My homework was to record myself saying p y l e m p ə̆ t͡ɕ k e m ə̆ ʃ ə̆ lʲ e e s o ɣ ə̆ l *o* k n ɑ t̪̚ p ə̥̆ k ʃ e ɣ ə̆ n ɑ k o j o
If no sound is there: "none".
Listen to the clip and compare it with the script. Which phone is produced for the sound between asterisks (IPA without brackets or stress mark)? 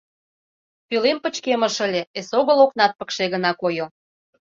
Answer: o